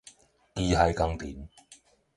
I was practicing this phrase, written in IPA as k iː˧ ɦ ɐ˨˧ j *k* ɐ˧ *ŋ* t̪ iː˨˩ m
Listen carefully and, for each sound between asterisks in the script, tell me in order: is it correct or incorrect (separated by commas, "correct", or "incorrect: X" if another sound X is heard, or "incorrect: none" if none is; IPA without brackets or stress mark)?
correct, correct